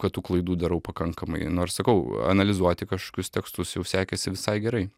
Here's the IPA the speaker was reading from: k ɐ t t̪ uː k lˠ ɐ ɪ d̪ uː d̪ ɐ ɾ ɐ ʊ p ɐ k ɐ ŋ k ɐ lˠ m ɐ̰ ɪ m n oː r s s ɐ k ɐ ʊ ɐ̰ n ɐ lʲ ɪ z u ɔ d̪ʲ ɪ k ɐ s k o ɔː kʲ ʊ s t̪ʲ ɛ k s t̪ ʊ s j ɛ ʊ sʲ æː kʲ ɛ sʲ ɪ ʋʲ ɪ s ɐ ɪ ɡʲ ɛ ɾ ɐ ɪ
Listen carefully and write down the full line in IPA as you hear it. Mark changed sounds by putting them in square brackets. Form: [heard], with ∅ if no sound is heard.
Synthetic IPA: k ɐ t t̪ uː k lˠ ɐ ɪ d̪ uː d̪ ɐ ɾ ɐ ʊ p ɐ k ɐ ŋ k ɐ [∅] m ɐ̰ ɪ [∅] n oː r s s ɐ k ɐ ʊ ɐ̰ n ɐ lʲ ɪ z u ɔ [t̪ʲ] ɪ k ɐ [ʃ] k o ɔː kʲ ʊ s t̪ʲ ɛ k s t̪ ʊ s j ɛ ʊ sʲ æː kʲ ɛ sʲ ɪ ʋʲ ɪ s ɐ ɪ ɡʲ ɛ ɾ ɐ ɪ